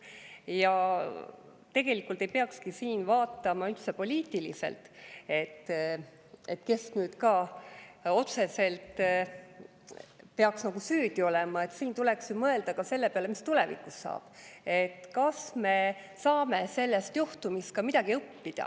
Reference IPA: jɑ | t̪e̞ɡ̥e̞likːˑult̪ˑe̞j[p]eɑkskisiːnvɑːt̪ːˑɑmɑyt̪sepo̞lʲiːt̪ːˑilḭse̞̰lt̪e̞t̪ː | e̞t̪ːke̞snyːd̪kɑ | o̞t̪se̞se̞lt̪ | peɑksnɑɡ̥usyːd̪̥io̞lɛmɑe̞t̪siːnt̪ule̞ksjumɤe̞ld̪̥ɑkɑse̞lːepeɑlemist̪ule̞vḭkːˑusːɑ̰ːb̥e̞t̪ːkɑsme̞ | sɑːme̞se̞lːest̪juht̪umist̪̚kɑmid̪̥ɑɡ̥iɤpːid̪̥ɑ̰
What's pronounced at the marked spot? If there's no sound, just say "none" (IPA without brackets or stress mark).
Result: p